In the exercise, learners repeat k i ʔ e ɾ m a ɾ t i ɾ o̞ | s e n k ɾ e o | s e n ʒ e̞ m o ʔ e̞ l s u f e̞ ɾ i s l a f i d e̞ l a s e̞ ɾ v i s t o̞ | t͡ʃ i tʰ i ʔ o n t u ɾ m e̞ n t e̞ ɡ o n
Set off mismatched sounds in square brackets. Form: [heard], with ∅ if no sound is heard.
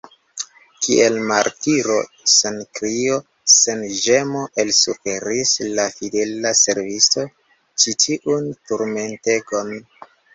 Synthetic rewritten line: k i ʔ e [l] m a ɾ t i ɾ o̞ | s e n k ɾ [i] o | s e n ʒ e̞ m o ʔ e̞ l s u f e̞ ɾ i s l a f i d e̞ l a s e̞ ɾ v i s t o̞ | t͡ʃ i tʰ i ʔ [u] n t u ɾ m e̞ n t e̞ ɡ o n